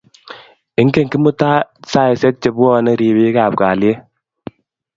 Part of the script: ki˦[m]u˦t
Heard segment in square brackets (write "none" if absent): m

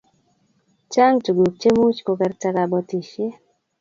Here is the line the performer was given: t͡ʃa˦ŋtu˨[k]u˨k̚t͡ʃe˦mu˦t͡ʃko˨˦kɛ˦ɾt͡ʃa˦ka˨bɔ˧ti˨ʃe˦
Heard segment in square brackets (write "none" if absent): ɡ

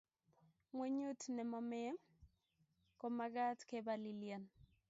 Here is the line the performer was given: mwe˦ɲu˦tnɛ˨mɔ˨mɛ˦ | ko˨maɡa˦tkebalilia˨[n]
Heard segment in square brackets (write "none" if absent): n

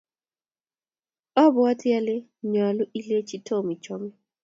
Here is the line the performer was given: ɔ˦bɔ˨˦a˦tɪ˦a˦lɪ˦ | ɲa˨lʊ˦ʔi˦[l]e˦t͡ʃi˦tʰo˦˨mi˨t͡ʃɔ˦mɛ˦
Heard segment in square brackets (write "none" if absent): l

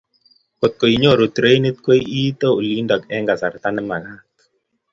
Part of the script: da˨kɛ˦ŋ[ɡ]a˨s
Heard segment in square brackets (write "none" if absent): ɡ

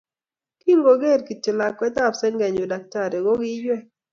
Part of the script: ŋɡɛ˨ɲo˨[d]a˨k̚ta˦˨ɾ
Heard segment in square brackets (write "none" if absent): d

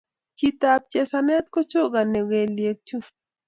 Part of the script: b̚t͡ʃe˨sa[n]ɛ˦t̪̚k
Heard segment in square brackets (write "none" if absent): n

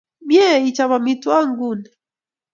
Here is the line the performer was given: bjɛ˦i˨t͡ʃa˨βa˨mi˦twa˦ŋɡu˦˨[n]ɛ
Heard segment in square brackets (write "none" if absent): n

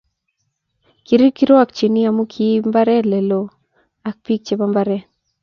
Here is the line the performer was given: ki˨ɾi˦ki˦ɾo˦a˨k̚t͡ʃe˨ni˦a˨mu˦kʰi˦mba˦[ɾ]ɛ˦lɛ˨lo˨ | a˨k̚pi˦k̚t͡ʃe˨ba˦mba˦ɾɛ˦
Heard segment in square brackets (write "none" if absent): ɾ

